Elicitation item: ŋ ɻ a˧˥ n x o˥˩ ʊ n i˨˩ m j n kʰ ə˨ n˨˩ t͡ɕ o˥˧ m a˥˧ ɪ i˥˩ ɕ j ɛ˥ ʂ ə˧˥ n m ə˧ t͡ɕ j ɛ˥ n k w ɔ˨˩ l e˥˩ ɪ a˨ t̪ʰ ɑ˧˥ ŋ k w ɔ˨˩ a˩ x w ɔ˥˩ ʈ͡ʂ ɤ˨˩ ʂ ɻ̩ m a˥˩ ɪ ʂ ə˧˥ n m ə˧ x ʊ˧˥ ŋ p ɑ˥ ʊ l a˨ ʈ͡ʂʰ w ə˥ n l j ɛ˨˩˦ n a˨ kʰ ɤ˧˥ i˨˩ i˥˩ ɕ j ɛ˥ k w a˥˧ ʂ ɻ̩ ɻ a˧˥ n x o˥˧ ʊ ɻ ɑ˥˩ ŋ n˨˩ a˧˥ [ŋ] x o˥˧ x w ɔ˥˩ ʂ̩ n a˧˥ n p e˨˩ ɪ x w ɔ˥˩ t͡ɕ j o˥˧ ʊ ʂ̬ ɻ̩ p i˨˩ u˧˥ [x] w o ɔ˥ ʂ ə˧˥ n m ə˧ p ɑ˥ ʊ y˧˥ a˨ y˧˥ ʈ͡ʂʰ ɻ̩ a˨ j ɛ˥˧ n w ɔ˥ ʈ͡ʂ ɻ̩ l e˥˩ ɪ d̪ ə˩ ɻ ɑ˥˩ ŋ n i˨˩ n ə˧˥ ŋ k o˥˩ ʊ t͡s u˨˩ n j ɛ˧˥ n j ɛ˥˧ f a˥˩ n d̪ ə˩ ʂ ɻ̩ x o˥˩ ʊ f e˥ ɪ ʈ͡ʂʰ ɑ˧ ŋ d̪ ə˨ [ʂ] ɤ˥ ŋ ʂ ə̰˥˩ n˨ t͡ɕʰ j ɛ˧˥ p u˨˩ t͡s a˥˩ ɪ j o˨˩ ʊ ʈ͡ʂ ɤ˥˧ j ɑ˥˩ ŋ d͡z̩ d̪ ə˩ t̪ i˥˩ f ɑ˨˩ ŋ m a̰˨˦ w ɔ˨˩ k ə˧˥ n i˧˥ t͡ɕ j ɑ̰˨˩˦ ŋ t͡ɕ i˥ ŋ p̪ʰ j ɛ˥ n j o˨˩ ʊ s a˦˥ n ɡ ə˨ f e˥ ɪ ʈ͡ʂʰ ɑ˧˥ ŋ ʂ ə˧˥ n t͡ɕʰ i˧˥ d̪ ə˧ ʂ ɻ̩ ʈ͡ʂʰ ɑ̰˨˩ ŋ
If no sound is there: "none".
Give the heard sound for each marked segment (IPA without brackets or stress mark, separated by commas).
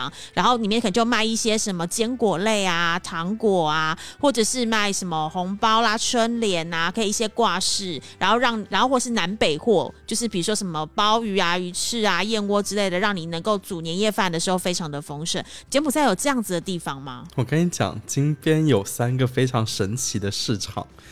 n, ʂ, f